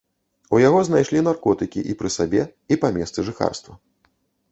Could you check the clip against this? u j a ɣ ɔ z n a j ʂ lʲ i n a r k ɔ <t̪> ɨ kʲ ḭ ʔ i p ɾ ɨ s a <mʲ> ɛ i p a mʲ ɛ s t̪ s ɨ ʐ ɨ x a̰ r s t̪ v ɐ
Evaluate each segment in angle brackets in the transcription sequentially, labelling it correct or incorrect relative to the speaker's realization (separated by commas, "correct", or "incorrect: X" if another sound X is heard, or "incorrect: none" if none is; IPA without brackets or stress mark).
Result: correct, incorrect: bʲ